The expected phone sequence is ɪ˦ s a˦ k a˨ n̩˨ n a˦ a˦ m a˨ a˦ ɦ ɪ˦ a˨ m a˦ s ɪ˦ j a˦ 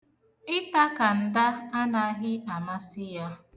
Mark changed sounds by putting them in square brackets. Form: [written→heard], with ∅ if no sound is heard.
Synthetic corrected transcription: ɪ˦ [s→t] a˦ k a˨ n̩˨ [n→d] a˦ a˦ [m→n] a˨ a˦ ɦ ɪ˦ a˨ m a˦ s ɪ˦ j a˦